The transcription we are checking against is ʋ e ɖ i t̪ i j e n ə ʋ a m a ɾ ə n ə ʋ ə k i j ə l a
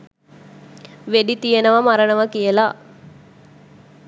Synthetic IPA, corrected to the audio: ʋ e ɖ i t̪ i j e n ə ʋ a m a ɾ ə n ə ʋ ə k i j ə l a